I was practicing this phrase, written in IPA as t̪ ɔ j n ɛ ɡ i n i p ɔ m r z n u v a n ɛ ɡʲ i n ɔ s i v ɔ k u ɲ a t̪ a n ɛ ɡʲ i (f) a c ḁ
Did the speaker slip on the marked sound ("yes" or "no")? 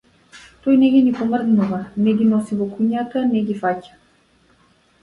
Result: no